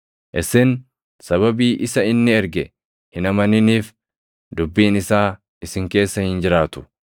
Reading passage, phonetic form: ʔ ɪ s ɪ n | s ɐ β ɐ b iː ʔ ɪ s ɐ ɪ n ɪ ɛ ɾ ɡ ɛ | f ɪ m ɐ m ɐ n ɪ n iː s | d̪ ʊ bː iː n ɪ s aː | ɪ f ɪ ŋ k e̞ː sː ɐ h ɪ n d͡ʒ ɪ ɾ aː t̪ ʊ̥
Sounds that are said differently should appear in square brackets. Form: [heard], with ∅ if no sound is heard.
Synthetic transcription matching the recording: ʔ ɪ s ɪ n | s ɐ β ɐ b iː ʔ ɪ s ɐ ɪ [nː] ɪ ɛ ɾ ɡ ɛ | [h] ɪ [n] ɐ m ɐ n ɪ n iː [f] | d̪ ʊ bː iː n ɪ s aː | ɪ [s] ɪ ŋ k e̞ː sː ɐ h ɪ n d͡ʒ ɪ ɾ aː t̪ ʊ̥